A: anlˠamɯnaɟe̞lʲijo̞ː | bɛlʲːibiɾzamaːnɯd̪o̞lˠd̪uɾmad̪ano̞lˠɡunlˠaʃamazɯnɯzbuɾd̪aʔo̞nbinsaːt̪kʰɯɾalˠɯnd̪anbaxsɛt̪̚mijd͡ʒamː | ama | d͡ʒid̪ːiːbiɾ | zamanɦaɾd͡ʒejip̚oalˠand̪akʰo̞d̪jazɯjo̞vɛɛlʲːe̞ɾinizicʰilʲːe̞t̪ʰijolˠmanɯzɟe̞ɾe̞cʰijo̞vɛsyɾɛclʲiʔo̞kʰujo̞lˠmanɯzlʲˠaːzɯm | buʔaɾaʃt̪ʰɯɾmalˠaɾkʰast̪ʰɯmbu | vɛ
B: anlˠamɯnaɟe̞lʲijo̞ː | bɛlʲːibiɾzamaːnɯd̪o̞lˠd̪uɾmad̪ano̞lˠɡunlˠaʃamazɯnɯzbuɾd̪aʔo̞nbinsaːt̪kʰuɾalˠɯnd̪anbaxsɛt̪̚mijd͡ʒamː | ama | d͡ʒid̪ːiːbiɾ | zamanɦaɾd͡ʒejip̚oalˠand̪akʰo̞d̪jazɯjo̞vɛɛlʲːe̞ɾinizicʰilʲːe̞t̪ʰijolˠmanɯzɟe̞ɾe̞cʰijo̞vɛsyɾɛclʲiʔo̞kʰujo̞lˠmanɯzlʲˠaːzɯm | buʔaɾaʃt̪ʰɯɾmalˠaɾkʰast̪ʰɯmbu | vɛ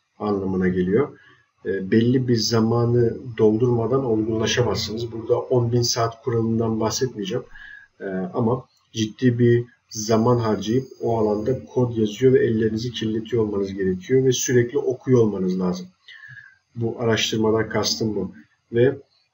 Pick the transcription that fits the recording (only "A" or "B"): B